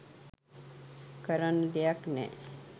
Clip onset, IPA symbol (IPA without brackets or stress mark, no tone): k